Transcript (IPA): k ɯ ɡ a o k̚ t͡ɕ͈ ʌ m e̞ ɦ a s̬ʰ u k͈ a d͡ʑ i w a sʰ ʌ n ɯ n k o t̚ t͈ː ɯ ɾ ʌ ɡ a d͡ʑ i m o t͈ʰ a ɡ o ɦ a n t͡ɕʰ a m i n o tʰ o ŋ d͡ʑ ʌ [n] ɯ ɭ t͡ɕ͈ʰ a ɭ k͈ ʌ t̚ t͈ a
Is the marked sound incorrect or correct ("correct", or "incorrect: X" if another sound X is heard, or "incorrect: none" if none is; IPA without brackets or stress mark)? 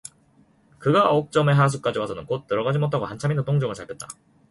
incorrect: ŋ